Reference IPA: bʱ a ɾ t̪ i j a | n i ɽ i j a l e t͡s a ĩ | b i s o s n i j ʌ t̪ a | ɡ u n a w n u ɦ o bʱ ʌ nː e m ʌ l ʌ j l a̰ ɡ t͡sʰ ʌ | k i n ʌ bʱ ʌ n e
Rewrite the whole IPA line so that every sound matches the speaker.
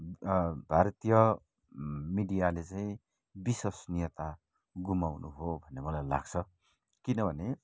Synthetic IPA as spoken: bʱ a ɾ t̪ i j ʌ | m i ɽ i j a l e t͡s a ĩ | b i s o s n i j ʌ t̪ a | ɡ u m a w n u ɦ o bʱ ʌ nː e m ʌ l a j l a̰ ɡ t͡sʰ ʌ | k i n ʌ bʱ ʌ n e